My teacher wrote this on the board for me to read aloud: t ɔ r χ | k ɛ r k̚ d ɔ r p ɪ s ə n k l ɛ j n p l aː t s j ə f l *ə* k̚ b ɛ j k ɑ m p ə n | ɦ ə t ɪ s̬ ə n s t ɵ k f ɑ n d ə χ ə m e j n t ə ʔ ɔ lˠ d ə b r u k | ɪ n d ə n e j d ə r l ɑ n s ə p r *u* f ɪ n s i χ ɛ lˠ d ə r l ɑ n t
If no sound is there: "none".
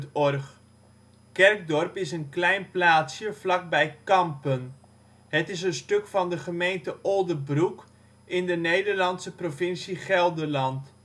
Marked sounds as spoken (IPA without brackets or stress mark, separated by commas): ɑ, o